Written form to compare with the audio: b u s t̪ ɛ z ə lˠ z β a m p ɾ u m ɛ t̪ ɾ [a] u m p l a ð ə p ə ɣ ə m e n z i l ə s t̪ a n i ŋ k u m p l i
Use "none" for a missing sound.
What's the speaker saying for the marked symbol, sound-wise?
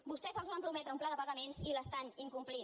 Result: ə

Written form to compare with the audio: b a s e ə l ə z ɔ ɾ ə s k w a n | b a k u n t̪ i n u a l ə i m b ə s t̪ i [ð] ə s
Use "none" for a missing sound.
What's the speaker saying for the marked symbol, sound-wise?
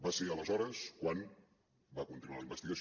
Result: ɣ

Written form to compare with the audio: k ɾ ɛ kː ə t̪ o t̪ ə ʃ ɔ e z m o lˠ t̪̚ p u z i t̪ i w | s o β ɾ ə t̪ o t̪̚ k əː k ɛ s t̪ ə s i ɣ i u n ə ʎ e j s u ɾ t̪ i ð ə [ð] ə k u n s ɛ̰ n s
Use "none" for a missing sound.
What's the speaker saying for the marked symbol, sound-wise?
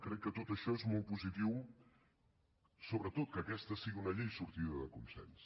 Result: ð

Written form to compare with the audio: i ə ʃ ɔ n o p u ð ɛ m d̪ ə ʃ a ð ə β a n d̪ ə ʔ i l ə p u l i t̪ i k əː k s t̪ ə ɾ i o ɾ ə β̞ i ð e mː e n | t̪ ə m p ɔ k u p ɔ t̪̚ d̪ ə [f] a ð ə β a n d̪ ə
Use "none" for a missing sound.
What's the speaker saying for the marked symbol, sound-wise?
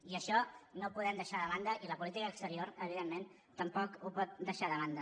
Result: ʃ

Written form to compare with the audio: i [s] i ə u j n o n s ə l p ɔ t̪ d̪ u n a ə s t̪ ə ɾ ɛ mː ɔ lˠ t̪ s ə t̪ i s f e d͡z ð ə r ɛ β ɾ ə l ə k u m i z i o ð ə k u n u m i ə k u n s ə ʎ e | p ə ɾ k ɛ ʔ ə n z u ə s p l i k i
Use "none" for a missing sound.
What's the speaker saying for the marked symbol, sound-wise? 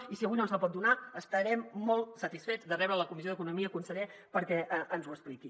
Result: s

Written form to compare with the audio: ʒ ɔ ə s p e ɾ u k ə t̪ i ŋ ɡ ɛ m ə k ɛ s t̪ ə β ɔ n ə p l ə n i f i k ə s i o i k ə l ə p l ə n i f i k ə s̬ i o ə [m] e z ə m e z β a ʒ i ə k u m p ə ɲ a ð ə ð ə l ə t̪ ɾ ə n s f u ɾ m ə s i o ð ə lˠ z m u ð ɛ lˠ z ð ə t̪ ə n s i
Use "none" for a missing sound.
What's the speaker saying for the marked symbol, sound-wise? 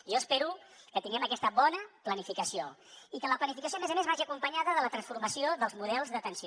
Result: m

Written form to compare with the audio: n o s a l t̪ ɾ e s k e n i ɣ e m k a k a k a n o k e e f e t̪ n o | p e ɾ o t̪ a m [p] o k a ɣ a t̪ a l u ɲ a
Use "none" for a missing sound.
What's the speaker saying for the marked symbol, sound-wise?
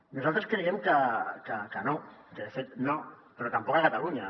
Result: p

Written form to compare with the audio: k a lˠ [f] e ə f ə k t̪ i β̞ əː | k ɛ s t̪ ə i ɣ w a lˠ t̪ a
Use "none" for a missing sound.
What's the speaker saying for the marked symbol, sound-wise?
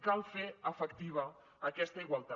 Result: f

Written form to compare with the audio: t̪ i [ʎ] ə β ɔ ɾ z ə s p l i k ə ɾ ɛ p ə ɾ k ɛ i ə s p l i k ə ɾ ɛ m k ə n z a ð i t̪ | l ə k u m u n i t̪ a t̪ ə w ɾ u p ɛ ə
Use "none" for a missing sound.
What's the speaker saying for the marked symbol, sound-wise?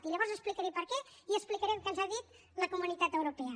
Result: ʎ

